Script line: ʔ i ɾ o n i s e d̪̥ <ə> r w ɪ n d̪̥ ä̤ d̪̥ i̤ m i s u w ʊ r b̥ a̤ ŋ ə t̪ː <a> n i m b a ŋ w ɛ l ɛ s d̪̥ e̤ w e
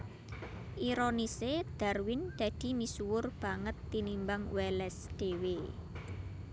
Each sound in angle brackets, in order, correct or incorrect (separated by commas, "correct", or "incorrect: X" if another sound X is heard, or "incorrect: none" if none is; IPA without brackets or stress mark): incorrect: a, incorrect: i